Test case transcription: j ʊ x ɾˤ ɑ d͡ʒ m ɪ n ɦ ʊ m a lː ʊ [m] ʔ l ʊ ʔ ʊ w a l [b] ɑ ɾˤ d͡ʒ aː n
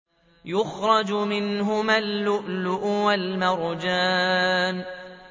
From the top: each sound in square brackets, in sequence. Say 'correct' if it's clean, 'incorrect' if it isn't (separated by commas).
incorrect, incorrect